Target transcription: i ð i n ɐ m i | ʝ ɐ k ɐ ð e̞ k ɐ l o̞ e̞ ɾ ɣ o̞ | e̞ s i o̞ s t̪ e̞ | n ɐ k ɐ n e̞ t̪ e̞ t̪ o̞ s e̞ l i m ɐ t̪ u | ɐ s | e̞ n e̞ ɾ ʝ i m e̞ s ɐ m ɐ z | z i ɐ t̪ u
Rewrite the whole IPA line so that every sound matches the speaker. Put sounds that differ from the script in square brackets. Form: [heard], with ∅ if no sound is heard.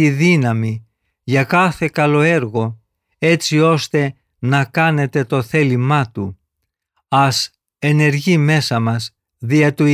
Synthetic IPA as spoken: i ð i n ɐ m i | ʝ ɐ k ɐ [θ] e̞ k ɐ l o̞ e̞ ɾ ɣ o̞ | e̞ [t͡s] i o̞ s t̪ e̞ | n ɐ k ɐ n e̞ t̪ e̞ t̪ o̞ [θ] e̞ l i m ɐ t̪ u | ɐ s | e̞ n e̞ ɾ ʝ i m e̞ s ɐ m ɐ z | [ð] i ɐ t̪ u